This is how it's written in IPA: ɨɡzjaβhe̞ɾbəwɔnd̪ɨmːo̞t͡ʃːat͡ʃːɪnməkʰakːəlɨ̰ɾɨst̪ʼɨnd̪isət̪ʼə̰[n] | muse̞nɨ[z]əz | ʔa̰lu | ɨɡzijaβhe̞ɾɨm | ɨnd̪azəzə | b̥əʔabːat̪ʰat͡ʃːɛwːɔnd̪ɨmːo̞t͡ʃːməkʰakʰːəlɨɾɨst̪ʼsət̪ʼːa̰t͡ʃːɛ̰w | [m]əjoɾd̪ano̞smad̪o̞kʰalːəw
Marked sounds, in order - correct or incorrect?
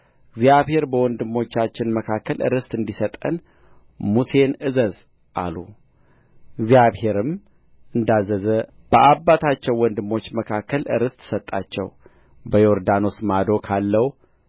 correct, correct, incorrect

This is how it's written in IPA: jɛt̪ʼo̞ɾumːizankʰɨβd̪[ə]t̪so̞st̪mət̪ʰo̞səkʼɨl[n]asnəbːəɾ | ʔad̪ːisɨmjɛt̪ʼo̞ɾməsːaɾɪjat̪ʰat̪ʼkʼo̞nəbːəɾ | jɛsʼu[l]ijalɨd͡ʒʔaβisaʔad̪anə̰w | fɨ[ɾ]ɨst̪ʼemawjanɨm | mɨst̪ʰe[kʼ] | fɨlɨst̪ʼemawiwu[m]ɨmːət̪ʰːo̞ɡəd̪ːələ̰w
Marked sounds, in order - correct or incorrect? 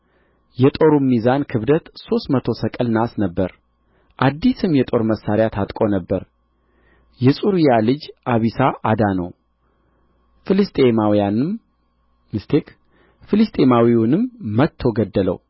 correct, correct, incorrect, incorrect, incorrect, incorrect

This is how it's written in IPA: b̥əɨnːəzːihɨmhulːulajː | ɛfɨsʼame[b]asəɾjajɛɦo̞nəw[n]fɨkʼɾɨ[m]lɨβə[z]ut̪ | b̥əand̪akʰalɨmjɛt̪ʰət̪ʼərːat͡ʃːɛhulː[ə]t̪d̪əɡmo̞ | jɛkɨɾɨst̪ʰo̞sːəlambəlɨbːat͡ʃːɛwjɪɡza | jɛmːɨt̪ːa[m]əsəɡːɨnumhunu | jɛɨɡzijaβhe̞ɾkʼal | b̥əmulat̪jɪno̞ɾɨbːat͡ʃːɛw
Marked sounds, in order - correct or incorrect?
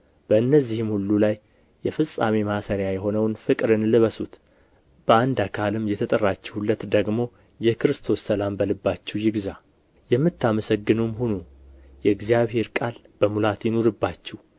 incorrect, correct, incorrect, incorrect, correct, correct

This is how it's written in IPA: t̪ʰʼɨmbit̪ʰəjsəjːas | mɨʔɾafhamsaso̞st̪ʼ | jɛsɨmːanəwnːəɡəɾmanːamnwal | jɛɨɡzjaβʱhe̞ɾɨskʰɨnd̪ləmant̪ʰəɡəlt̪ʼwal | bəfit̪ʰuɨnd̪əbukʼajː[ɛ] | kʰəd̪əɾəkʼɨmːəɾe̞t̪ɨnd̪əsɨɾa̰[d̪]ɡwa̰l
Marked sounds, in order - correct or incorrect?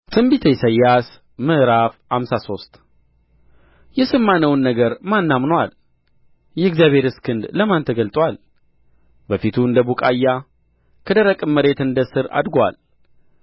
incorrect, correct

